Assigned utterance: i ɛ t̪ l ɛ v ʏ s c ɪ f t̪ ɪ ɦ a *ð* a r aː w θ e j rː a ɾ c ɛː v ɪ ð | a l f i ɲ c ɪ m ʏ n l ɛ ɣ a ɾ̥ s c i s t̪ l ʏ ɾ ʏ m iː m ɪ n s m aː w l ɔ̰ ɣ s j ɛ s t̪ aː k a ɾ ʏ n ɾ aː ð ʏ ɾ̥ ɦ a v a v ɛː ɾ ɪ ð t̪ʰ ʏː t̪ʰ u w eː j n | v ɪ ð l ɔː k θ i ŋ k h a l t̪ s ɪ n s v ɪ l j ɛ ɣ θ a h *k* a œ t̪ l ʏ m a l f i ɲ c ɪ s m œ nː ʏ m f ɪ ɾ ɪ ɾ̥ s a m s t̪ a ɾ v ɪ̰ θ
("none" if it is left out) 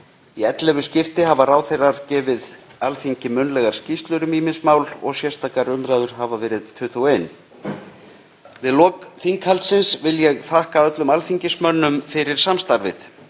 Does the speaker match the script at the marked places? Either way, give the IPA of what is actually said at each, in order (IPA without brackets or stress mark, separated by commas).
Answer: v, k